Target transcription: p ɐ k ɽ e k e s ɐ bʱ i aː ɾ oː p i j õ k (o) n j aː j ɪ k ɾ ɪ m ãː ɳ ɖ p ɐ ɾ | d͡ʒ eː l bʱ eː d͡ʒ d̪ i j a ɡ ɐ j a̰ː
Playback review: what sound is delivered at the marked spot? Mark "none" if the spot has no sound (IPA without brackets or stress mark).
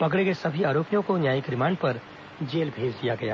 o